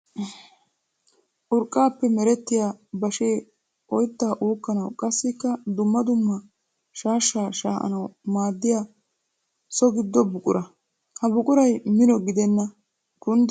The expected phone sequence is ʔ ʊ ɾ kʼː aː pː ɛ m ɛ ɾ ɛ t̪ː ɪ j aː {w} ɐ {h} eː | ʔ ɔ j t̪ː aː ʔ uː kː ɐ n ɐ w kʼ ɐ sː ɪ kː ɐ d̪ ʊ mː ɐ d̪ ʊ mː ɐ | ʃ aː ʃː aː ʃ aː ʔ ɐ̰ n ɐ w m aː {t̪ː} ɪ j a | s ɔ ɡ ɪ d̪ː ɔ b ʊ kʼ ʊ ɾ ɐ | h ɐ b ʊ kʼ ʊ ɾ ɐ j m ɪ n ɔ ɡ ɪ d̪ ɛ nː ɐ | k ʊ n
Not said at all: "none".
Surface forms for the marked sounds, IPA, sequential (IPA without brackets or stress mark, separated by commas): b, ʃ, d̪ː